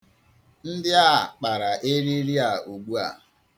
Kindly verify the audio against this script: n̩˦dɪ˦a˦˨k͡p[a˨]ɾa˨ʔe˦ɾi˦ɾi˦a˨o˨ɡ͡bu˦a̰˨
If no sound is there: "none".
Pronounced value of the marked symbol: a˨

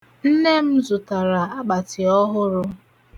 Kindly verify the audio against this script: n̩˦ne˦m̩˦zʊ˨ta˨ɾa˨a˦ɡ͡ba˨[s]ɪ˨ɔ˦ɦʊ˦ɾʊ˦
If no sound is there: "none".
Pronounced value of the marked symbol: t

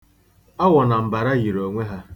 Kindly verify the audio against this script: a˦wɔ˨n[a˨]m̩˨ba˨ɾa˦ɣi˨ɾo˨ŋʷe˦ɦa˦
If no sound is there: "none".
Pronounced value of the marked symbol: a˨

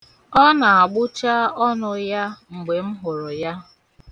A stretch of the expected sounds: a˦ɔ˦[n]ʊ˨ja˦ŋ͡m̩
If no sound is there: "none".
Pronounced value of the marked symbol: n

